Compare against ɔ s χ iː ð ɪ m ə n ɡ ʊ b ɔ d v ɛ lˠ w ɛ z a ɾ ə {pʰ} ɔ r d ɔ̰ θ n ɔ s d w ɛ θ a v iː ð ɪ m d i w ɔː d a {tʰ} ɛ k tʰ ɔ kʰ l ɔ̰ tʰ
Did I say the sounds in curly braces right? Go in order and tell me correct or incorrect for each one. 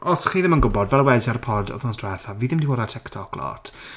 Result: correct, correct

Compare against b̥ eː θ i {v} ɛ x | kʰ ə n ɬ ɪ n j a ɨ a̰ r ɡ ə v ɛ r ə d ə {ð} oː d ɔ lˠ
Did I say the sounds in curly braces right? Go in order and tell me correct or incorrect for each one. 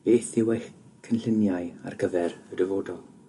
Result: incorrect: w, incorrect: v

